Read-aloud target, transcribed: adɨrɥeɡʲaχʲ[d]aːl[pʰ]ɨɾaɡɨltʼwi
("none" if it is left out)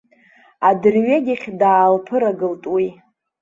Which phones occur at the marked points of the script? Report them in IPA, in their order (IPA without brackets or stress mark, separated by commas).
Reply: d, pʰ